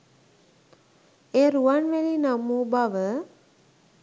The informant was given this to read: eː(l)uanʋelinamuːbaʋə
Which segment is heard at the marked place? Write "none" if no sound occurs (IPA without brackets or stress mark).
ɾ